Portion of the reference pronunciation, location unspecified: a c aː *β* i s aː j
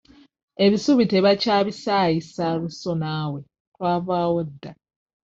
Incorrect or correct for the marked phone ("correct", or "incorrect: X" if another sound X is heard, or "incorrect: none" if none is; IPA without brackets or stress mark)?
correct